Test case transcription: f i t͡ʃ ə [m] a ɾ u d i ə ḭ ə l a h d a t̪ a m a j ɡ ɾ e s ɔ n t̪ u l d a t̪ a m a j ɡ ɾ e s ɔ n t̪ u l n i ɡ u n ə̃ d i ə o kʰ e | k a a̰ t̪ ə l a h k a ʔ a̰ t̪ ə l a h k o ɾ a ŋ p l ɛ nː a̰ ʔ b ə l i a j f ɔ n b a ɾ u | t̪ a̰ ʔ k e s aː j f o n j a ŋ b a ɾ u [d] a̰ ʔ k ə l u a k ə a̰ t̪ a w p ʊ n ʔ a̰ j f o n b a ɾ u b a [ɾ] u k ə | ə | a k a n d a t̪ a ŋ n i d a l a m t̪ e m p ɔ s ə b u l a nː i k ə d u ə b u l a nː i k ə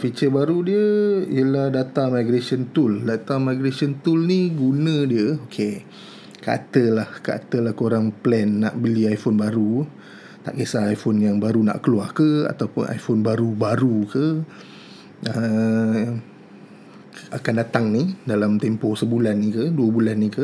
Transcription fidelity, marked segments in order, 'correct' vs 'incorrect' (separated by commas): incorrect, incorrect, correct